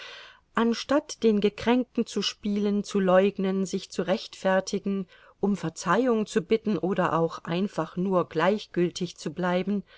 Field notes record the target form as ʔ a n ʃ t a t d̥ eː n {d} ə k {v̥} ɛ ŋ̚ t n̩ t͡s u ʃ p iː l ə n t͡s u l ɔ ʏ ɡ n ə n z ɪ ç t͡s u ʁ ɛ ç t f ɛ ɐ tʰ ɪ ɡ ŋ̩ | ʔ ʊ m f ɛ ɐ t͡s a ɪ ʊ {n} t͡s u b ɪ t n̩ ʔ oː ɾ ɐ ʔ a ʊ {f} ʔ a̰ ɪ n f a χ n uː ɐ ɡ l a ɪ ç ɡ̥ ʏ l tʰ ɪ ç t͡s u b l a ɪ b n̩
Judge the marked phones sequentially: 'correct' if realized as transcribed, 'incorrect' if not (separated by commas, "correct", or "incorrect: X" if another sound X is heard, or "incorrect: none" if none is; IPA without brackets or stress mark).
incorrect: ɡ, incorrect: ʁ̥, incorrect: ŋ, incorrect: x